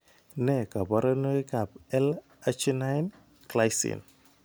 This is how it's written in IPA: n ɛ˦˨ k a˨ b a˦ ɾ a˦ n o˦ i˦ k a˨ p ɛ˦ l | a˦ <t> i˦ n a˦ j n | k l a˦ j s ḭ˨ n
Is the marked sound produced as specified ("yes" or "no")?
no